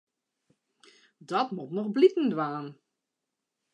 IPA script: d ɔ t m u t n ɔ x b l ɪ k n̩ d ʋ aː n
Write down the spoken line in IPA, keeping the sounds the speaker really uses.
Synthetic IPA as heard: d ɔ t m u t n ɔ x b l i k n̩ d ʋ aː n